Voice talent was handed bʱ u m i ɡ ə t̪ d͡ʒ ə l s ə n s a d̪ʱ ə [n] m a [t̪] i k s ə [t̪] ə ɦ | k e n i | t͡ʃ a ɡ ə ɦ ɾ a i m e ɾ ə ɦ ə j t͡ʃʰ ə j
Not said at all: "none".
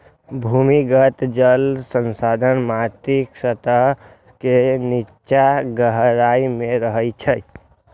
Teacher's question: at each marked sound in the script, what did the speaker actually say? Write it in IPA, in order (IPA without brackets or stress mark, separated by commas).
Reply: n, t̪, t̪